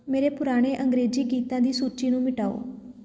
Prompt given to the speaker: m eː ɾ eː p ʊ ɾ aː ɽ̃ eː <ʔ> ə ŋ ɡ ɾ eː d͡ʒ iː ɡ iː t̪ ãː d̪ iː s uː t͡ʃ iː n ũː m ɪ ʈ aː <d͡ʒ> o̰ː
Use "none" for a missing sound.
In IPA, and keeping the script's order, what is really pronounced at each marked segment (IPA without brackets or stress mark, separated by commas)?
ʔ, none